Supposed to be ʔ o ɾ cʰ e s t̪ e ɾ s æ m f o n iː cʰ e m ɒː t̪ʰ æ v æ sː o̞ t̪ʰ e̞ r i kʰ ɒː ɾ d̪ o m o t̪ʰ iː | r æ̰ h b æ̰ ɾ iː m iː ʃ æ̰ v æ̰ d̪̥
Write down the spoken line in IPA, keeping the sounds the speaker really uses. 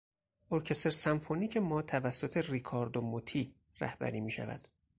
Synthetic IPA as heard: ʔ o ɾ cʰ e s t̪ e ɾ s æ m f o n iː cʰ e m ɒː t̪ʰ æ v æ sː o̞ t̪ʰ e̞ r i kʰ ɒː ɾ d̪ o m o t̪ʰ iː | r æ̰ h b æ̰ ɾ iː m iː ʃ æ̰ v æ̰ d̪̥